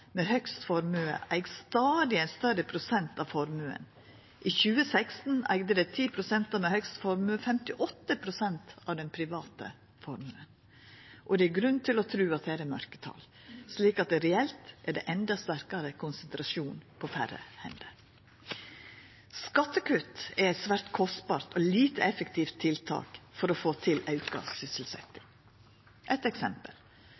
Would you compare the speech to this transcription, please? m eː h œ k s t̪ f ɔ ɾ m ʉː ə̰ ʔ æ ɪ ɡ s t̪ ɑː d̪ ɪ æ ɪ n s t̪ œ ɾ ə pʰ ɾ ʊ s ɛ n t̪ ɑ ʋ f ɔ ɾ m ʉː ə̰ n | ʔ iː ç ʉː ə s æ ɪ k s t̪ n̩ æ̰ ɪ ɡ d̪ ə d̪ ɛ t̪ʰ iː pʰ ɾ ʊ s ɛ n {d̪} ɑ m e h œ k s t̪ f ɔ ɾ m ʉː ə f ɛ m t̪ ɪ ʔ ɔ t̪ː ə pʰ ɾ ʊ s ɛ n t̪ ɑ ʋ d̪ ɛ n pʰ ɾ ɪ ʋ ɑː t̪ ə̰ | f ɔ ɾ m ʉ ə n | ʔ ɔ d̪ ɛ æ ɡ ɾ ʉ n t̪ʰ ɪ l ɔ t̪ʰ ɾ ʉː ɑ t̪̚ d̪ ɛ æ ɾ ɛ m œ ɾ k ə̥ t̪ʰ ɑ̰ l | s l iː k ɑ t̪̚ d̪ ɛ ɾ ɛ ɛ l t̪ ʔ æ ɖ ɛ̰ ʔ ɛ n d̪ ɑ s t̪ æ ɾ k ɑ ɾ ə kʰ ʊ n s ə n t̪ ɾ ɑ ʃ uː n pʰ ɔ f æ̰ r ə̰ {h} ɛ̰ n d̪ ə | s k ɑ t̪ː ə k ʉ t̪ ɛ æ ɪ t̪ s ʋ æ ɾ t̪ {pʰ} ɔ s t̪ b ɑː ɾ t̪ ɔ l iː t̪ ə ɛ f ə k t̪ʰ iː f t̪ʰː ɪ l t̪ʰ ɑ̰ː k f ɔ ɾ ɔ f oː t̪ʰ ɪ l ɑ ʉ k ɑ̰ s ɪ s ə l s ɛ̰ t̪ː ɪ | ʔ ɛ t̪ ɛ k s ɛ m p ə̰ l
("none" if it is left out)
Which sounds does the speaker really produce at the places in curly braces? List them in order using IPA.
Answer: t̪, h, kʰ

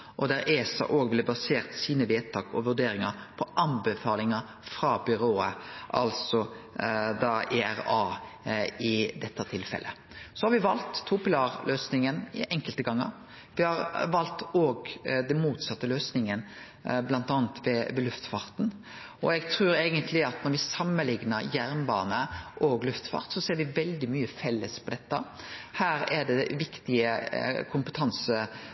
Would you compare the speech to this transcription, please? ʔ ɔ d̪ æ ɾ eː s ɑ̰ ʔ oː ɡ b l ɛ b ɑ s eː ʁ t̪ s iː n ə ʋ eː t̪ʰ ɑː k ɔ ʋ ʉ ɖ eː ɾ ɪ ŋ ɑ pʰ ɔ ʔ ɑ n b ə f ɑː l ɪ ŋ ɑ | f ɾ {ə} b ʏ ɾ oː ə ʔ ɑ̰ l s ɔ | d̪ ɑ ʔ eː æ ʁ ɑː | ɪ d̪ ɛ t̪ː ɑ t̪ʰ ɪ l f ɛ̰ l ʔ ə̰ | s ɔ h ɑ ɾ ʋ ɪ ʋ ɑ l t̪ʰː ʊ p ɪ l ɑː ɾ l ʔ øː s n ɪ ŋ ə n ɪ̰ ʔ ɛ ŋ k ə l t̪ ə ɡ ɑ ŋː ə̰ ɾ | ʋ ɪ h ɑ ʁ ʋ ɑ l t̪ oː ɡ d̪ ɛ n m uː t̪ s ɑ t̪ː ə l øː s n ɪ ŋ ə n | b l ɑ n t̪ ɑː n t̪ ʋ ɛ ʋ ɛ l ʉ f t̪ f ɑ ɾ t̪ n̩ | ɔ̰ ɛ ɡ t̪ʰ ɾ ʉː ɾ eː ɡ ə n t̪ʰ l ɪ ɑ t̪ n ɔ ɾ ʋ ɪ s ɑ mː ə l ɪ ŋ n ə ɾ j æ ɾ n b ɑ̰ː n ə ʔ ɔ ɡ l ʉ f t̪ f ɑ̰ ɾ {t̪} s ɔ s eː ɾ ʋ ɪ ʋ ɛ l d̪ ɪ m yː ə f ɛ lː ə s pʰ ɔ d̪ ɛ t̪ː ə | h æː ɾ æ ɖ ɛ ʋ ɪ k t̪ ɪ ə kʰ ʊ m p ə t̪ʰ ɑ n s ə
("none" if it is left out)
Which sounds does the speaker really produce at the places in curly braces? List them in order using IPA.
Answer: ɑ, t̪

